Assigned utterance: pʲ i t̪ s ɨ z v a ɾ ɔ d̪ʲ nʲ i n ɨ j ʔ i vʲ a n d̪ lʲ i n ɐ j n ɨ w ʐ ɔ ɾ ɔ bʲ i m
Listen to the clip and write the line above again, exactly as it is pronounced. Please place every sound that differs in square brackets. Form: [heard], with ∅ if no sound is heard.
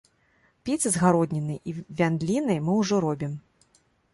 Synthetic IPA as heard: pʲ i t̪ s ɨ z [ɣ] a ɾ ɔ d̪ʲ nʲ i n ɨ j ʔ i vʲ a n d̪ lʲ i n ɐ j [m] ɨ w ʐ ɔ ɾ ɔ bʲ i m